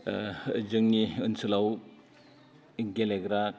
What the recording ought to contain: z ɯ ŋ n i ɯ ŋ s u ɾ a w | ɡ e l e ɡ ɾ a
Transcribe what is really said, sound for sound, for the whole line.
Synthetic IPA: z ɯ ŋ n i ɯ n s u l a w | ɡ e l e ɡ ɾ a